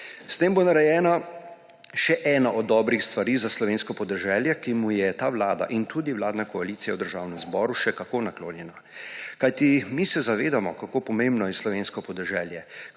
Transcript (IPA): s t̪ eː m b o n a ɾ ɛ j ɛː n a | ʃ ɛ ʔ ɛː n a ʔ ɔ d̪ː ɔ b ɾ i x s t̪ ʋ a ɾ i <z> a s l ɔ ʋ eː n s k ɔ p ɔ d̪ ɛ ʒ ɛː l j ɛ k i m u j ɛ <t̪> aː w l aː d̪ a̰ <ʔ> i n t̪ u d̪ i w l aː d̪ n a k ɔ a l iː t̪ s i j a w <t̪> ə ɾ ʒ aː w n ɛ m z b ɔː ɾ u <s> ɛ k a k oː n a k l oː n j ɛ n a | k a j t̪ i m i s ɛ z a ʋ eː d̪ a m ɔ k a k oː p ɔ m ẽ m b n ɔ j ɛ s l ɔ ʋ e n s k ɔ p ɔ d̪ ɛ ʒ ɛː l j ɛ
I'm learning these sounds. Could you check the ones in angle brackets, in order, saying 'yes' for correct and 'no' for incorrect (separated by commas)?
yes, yes, yes, no, no